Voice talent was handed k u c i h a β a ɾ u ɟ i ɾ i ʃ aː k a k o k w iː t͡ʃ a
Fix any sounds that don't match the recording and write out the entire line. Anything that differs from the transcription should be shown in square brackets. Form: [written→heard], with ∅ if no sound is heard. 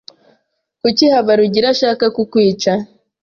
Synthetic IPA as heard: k u c i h a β a ɾ u ɟ i ɾ [i→a] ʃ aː k a k [o→u] k w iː t͡ʃ a